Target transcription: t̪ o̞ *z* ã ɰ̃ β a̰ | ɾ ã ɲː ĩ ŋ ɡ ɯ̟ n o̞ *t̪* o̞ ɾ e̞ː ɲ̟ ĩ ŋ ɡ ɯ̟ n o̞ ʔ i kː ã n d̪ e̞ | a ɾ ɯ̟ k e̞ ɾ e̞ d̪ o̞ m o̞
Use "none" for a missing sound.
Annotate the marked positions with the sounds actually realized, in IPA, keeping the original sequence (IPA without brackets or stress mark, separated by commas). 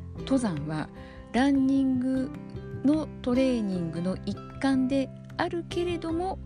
z, t̪